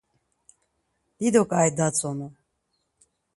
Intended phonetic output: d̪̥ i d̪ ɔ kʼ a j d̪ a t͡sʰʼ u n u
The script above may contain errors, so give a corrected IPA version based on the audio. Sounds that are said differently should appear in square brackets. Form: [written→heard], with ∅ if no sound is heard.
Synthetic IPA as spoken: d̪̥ i d̪ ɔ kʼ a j d̪ a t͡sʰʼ [u→ɔ] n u